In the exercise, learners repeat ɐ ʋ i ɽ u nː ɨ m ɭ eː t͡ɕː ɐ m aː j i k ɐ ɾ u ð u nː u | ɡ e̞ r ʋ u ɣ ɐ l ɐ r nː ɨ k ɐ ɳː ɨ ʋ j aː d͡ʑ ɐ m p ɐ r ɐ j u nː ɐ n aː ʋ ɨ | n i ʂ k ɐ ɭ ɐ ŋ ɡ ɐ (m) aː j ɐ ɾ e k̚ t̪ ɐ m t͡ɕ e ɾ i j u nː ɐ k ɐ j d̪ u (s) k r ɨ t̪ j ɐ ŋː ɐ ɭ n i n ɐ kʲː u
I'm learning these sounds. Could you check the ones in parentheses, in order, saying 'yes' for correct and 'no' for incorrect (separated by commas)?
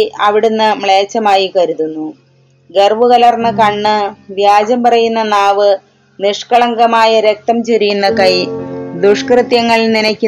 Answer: yes, no